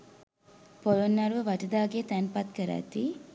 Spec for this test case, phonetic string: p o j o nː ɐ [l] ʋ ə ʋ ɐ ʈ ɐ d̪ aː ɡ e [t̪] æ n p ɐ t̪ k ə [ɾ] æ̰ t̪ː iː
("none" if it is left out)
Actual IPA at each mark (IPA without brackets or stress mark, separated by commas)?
ɾ, t̪, ɾ